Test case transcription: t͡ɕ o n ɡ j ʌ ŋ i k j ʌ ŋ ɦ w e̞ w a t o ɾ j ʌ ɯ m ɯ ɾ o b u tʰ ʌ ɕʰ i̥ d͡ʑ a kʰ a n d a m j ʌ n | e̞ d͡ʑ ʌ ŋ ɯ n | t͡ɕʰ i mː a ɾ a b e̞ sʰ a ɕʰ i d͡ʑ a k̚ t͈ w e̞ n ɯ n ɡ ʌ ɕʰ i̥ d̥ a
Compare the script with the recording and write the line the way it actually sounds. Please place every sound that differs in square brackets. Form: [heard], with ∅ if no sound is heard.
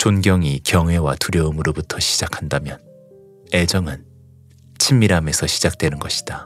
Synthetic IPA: t͡ɕ o n ɡ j ʌ ŋ i k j ʌ ŋ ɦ w e̞ w a t [u] ɾ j ʌ ɯ m ɯ ɾ o b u tʰ ʌ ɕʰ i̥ d͡ʑ a kʰ a n d a m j ʌ n | e̞ d͡ʑ ʌ ŋ ɯ n | t͡ɕʰ i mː [i] ɾ a [m] e̞ sʰ [ʌ] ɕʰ i d͡ʑ a k̚ t͈ w e̞ n ɯ n ɡ ʌ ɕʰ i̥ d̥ a